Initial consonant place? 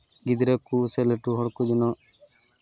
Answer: velar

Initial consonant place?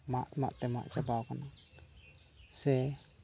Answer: labial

